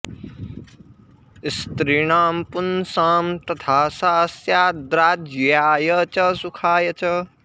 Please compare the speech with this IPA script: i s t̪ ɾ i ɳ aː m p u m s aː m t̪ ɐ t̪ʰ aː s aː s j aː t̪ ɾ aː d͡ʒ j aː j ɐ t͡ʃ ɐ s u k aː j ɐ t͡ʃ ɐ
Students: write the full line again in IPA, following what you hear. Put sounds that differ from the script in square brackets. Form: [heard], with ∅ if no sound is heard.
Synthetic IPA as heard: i s t̪ ɾ i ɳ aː m p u [n] s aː m t̪ ɐ t̪ʰ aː s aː s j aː [d̪] ɾ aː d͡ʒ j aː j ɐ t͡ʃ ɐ s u [kʰ] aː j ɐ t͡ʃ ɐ